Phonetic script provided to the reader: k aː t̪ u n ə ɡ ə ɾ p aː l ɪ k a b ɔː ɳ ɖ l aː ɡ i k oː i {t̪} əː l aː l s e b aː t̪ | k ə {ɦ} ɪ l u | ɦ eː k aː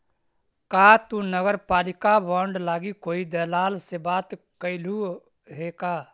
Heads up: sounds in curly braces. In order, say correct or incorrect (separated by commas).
incorrect, incorrect